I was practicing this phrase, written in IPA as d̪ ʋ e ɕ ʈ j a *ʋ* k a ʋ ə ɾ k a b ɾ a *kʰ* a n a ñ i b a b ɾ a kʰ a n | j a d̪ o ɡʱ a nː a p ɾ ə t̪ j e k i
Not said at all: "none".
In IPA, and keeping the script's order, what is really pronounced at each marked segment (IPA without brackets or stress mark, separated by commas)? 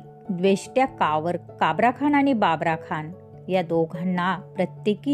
none, kʰ